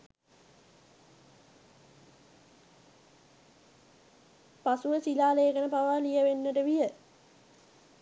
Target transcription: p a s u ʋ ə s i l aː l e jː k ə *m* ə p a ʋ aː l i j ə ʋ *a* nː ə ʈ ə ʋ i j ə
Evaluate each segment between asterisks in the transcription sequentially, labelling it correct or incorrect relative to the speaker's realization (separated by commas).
incorrect, incorrect